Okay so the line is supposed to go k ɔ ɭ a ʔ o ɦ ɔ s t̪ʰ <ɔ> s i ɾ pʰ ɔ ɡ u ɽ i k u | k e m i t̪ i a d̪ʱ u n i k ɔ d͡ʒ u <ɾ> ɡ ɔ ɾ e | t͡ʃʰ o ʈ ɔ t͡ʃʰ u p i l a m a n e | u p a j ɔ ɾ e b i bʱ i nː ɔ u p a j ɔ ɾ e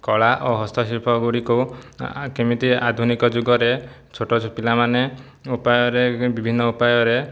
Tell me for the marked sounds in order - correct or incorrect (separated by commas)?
correct, incorrect